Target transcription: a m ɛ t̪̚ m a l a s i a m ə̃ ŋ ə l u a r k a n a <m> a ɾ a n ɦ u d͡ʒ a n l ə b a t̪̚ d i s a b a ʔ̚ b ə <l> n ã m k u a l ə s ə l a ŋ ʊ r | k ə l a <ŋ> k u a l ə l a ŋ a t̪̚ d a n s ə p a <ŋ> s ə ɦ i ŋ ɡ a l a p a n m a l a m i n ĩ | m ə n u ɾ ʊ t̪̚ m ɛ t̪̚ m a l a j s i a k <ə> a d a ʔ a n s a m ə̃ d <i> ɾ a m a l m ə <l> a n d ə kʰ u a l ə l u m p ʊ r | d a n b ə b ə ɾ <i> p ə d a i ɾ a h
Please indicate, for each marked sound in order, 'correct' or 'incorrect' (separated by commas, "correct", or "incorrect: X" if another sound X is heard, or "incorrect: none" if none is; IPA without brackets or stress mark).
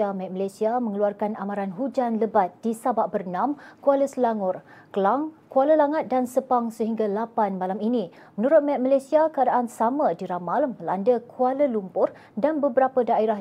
correct, incorrect: r, correct, correct, correct, correct, correct, incorrect: a